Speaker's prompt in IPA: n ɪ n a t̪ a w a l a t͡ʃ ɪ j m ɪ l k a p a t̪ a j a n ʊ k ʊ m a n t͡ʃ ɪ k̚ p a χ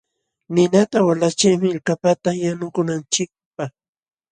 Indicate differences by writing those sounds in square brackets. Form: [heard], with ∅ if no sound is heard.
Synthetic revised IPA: n ɪ n a t̪ a w a l a t͡ʃ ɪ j m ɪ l k a p a t̪ a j a n ʊ k ʊ [n] a n t͡ʃ ɪ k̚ p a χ